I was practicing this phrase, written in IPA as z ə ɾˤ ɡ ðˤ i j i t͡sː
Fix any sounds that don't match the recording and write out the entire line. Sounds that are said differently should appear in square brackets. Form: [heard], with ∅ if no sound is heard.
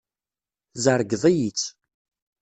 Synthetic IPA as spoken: z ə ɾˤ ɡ ðˤ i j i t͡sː